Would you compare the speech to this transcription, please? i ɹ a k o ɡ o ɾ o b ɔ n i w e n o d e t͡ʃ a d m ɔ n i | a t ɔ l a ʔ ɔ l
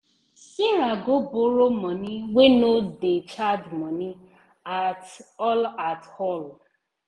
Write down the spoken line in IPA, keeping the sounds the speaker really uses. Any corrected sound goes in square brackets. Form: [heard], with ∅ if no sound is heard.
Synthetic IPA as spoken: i [ɾ] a [ɡ] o [b] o ɾ o [m] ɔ n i w e n o d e t͡ʃ a d m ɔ n i | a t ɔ l a [t] ɔ l